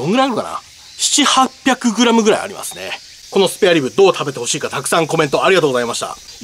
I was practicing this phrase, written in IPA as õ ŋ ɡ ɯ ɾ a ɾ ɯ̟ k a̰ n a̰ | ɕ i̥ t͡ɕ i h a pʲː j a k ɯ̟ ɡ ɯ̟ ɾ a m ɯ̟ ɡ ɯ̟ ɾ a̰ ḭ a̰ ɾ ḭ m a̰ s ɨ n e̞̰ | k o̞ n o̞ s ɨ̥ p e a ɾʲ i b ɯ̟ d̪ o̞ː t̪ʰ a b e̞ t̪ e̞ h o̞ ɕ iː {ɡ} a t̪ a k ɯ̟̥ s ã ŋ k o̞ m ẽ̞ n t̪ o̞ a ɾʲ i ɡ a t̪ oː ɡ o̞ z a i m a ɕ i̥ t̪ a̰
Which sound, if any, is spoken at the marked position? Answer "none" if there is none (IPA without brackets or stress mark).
k